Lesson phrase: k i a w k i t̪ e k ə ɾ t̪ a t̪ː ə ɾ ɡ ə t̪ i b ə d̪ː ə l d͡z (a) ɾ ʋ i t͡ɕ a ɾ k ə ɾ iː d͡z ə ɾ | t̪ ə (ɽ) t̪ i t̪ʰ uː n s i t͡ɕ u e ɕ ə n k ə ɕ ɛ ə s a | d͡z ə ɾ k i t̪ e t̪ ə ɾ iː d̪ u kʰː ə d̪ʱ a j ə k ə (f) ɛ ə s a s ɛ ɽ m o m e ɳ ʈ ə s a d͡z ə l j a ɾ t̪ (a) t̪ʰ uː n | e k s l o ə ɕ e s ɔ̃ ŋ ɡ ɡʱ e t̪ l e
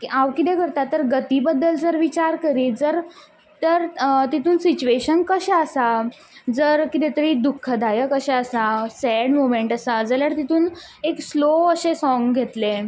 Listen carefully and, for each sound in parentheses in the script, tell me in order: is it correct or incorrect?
incorrect: ə, incorrect: ɾ, incorrect: ɕ, incorrect: i

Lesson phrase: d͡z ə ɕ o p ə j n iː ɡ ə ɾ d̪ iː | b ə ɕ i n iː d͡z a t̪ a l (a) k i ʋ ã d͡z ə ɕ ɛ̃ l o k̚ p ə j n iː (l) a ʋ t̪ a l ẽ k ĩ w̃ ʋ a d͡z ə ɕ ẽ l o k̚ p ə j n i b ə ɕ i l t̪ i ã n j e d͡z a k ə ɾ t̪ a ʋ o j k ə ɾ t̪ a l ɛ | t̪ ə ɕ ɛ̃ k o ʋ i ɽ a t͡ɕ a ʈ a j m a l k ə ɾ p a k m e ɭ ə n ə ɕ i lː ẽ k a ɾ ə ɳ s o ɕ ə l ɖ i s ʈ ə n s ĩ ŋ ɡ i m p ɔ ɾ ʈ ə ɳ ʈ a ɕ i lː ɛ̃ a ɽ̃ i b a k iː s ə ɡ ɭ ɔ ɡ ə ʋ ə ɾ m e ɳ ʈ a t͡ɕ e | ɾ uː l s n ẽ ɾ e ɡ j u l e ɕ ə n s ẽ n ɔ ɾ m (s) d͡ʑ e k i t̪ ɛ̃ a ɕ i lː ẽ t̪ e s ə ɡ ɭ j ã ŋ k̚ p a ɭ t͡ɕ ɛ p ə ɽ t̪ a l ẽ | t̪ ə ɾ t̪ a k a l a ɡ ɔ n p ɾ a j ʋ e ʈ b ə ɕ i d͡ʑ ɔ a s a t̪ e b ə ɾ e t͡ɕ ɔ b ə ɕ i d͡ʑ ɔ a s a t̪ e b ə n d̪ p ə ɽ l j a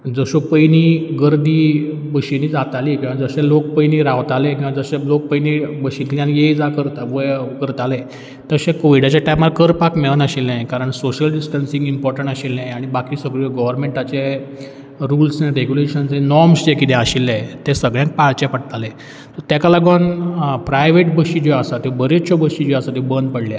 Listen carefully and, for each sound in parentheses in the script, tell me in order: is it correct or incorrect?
incorrect: i, incorrect: ɾ, correct

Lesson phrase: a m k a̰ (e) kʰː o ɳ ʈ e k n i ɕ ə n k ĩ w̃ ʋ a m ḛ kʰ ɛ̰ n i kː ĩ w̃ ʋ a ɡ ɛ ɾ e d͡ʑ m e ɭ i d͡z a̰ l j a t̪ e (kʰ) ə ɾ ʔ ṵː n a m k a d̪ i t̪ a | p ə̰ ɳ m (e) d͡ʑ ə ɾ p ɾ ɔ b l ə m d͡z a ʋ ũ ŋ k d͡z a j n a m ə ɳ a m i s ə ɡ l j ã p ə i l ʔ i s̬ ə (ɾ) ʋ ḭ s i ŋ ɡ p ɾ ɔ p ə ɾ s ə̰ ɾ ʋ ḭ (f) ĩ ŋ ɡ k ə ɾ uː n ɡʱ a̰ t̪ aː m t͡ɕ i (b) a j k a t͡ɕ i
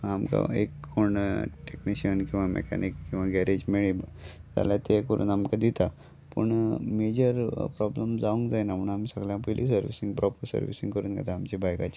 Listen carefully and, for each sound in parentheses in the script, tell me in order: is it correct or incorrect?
correct, incorrect: k, correct, correct, incorrect: s, correct

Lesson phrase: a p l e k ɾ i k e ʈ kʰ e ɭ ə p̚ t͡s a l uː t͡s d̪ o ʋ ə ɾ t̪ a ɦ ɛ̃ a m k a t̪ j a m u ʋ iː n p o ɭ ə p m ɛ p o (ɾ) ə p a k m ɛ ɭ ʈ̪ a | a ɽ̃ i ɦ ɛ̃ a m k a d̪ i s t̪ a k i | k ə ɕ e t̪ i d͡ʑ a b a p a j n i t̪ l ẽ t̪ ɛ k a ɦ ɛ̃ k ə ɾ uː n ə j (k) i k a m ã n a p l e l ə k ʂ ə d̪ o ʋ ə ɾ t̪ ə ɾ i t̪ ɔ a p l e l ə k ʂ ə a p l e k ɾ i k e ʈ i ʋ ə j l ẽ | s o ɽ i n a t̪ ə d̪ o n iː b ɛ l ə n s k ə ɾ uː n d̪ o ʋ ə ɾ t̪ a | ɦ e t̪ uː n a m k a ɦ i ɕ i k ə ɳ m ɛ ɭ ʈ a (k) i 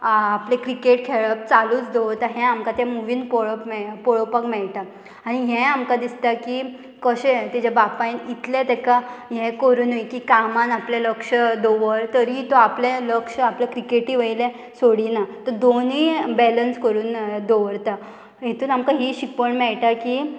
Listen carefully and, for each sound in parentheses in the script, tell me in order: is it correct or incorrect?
incorrect: ɭ, correct, correct

